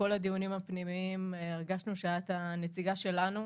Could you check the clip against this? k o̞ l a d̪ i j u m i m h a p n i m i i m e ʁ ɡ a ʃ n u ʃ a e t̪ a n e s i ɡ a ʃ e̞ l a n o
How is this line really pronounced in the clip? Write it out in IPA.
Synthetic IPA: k o̞ l a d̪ i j u n i m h a p n i m i i m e ʁ ɡ a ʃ n u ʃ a a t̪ a n e t͡s i ɡ a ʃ e̞ l a n u